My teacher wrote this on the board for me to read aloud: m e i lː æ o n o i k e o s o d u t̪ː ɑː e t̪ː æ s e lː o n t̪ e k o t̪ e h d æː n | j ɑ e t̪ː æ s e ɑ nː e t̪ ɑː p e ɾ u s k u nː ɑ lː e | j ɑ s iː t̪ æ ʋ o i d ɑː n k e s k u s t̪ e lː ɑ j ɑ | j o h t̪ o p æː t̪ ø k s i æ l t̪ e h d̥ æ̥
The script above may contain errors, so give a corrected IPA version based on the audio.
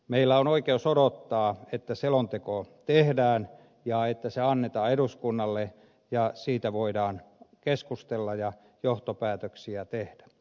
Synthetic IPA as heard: m e i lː æ o n o i k e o s o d o t̪ː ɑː e t̪ː æ s e l o n t̪ e k o t̪ e h d æː n | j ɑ e t̪ː æ s e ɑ nː e t̪ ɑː e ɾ u s k u nː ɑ lː e | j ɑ s iː t̪ æ ʋ o i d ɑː n k e s k u s t̪ e lː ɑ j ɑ | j o h t̪ o p æː t̪ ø k s i æ t̪ e h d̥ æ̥